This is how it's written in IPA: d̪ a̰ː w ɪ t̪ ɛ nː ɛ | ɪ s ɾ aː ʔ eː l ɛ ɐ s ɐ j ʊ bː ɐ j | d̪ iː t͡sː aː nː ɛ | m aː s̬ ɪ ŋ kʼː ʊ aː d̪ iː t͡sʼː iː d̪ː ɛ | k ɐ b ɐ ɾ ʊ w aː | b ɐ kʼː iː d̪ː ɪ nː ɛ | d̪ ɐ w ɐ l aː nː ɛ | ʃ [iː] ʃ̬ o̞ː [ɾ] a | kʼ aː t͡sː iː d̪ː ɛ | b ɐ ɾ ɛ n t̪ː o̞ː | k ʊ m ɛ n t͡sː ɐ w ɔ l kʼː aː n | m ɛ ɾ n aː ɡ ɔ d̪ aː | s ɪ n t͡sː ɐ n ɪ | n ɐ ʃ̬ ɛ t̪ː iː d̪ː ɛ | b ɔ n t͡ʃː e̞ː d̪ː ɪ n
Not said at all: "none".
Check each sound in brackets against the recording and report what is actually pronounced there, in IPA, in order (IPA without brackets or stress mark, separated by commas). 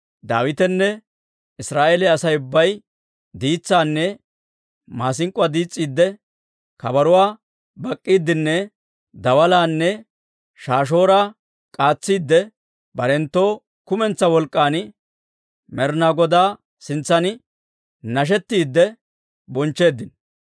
aː, ɾ